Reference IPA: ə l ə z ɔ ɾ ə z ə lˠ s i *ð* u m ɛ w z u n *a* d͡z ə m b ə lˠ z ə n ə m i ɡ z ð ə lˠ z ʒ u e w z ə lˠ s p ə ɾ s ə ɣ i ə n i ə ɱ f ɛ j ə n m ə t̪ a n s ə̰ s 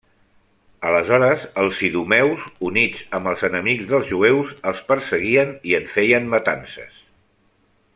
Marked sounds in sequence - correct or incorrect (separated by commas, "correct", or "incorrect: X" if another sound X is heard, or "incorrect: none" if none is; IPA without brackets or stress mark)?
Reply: correct, incorrect: i